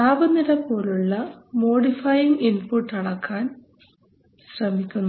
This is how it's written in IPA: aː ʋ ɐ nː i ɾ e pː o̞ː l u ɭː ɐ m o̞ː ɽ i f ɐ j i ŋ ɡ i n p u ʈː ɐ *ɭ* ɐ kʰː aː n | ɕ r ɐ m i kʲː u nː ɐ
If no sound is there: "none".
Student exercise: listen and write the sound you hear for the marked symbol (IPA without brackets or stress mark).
ɽ